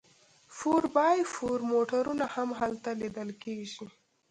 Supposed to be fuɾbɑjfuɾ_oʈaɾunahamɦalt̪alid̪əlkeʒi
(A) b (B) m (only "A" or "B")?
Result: B